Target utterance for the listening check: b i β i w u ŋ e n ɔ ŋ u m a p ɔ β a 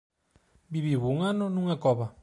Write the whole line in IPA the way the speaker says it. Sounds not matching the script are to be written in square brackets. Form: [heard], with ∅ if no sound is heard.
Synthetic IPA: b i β i [β] u ŋ [a] n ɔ [n] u [ŋ] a [k] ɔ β a